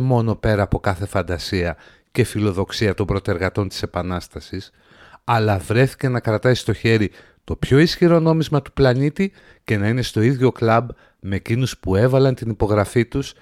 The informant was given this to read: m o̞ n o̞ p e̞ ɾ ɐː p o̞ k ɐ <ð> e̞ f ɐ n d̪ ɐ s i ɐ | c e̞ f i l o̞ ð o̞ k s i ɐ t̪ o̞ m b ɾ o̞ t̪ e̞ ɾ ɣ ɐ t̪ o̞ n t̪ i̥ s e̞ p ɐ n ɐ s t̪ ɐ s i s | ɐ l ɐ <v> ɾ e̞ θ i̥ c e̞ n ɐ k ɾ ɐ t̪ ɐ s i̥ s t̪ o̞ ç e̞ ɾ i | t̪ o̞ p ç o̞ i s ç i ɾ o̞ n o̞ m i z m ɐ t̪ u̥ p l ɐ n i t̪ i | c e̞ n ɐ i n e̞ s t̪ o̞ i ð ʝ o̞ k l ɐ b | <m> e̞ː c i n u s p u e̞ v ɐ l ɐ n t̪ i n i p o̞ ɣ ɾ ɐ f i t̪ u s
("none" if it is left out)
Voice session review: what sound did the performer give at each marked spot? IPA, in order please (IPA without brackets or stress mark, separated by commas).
θ, v, m